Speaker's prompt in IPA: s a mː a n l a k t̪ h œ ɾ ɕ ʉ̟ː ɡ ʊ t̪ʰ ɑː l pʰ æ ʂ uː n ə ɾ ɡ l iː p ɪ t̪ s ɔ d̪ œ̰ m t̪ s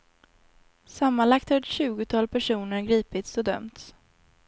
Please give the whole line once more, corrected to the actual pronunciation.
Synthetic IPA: s a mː a n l a k t̪ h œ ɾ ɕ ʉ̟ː ɡ ʊ t̪ʰ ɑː l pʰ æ ʂ uː n ə ɾ ɡ ɾ iː p ɪ t̪ s ɔ d̪ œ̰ m t̪ s